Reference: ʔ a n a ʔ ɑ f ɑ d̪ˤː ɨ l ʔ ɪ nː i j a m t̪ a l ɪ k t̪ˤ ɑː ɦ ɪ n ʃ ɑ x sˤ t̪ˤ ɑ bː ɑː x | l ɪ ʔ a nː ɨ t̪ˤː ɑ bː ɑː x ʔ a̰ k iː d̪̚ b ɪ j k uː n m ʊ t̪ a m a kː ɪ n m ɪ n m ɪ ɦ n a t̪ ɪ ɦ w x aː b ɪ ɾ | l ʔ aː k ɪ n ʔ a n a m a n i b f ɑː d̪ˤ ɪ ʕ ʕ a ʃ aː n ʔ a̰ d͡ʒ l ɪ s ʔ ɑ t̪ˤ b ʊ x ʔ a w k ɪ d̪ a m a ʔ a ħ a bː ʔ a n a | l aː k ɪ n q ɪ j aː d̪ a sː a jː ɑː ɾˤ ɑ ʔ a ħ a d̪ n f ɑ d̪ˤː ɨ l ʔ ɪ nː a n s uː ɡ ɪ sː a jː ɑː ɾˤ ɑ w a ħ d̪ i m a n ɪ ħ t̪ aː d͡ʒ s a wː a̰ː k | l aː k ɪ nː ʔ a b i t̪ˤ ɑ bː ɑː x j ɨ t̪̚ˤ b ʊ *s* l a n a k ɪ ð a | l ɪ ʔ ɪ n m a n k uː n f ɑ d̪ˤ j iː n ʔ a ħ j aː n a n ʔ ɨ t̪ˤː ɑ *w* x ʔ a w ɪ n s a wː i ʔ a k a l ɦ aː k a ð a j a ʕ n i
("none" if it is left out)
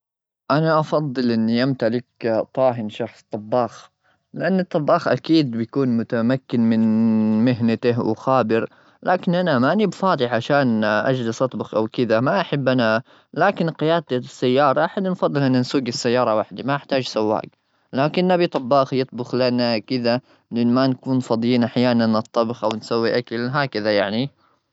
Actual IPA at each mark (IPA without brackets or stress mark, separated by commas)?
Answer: x, b